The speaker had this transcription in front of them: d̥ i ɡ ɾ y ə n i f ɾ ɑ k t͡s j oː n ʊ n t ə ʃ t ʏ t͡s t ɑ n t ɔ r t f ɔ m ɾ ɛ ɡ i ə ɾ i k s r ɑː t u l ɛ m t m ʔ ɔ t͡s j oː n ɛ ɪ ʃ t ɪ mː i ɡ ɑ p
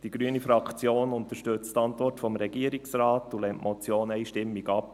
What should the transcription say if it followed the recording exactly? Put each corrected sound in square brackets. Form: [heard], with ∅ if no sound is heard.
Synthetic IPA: d̥ i ɡ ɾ y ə n i f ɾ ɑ k t͡s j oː n ʊ n t ə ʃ t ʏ t͡s t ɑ n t ɔ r t f ɔ m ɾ ɛ ɡ i ə ɾ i k s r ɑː t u l ɛ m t m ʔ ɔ t͡s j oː n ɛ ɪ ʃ t ɪ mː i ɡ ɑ p